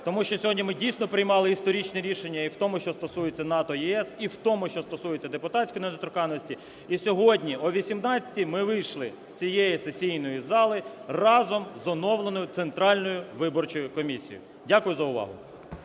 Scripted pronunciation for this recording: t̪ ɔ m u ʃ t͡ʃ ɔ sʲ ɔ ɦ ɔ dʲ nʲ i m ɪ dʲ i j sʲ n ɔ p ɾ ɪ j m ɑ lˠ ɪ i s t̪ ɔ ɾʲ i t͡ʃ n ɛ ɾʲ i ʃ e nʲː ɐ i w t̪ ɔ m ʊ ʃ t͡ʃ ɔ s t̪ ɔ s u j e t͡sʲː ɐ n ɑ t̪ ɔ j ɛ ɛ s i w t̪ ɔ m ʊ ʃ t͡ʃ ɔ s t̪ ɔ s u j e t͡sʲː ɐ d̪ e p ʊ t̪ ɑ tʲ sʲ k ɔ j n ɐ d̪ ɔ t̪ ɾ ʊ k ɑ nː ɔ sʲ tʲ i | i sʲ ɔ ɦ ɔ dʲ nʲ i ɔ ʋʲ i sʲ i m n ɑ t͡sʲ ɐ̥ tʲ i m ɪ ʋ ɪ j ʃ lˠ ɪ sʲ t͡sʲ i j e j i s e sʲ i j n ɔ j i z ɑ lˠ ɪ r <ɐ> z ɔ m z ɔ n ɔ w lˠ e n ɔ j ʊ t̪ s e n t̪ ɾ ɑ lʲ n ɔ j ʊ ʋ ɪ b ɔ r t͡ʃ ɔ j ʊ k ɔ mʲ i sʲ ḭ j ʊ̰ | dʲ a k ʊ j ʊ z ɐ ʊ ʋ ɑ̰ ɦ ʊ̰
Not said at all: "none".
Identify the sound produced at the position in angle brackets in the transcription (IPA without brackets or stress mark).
ɑ